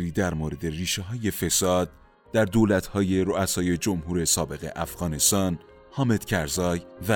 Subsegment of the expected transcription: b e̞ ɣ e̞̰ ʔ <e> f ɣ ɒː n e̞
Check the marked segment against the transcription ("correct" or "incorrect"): incorrect